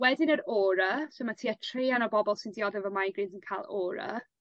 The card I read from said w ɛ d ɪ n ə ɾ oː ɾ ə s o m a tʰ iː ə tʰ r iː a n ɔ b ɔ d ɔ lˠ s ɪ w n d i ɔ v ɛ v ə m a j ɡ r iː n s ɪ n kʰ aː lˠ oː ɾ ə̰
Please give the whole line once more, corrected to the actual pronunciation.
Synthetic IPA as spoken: w ɛ d ɪ n ə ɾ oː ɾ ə s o m a tʰ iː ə tʰ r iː a n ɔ b ɔ b ɔ lˠ s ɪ n d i ɔ ð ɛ v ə m a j ɡ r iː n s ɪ n kʰ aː lˠ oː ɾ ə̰